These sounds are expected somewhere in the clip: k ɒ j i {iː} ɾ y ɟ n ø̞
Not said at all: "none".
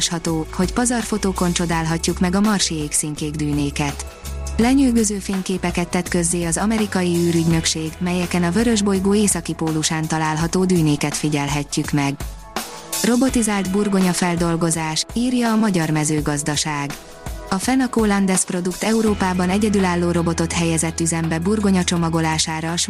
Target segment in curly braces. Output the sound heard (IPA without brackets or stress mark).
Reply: yː